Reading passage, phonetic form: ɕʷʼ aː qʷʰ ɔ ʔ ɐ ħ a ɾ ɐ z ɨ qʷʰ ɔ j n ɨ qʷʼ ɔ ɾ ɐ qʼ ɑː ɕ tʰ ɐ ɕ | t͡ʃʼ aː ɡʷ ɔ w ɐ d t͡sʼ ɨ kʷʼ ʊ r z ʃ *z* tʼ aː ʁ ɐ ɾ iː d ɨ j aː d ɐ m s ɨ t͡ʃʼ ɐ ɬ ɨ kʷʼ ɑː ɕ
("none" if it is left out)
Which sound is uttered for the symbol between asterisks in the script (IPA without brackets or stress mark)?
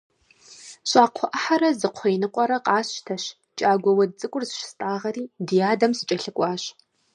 s